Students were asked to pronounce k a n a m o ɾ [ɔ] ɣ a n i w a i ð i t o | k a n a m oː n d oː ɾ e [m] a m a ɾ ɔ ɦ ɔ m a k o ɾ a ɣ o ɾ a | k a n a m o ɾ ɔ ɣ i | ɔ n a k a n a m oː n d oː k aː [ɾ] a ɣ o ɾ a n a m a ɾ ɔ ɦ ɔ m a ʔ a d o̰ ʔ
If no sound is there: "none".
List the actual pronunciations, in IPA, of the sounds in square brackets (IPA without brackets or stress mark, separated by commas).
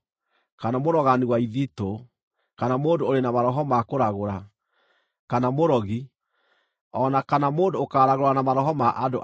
ɔ, n, ɾ